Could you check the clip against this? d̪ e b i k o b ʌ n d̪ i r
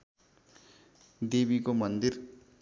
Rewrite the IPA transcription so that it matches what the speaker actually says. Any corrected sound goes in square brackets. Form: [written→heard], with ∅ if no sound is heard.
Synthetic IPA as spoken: d̪ e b i k o [b→m] ʌ n d̪ i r